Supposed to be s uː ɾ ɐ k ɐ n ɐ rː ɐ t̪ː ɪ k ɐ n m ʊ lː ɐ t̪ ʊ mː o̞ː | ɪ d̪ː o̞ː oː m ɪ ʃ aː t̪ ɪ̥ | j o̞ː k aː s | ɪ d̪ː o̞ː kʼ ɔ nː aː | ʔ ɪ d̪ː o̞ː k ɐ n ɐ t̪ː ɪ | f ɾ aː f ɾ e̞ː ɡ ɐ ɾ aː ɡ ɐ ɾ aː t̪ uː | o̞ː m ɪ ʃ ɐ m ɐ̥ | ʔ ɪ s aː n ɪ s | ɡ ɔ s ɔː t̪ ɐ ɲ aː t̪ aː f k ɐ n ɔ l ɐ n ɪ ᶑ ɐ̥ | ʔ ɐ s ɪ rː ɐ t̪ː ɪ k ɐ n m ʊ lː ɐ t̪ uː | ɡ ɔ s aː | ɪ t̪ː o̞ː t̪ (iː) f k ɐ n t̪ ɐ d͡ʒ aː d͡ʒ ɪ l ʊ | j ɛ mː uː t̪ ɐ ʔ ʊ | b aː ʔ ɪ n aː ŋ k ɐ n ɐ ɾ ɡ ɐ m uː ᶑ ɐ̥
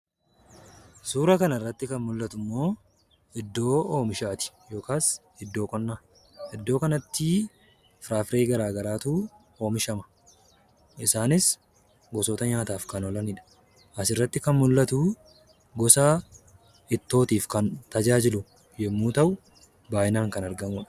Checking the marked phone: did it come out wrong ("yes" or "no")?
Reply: no